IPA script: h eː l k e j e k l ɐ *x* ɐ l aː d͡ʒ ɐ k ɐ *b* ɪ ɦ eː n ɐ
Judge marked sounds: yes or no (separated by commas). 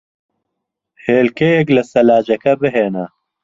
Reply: no, yes